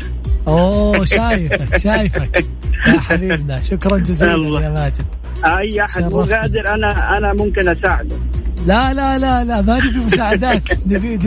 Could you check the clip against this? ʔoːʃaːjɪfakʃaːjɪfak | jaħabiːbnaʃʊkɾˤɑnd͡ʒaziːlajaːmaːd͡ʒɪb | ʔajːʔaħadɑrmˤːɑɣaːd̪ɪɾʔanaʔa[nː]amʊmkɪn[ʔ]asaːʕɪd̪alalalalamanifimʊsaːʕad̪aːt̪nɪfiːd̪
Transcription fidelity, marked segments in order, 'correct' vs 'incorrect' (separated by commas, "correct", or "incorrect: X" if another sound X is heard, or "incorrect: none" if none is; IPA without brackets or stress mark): incorrect: n, correct